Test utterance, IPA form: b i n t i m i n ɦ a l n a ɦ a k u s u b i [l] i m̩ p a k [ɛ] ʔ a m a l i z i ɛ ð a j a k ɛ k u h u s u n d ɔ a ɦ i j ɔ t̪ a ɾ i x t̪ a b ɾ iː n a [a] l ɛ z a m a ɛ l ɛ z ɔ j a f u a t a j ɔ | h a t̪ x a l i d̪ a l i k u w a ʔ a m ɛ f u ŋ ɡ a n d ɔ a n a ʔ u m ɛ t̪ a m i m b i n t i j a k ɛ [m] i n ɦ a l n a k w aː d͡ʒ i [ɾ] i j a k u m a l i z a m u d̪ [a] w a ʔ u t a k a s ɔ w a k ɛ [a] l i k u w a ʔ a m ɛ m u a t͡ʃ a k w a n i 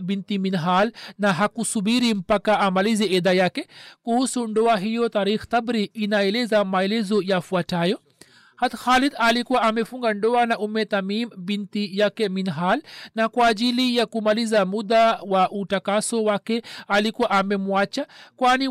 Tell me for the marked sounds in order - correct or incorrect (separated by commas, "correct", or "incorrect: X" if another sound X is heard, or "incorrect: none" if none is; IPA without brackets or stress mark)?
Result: incorrect: ɾ, incorrect: a, incorrect: ɛ, correct, incorrect: l, correct, correct